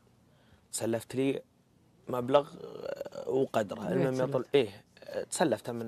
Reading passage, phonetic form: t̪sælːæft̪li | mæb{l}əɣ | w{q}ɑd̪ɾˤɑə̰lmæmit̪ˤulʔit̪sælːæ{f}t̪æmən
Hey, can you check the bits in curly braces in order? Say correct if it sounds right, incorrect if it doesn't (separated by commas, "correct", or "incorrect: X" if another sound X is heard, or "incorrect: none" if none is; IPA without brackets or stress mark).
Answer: correct, correct, correct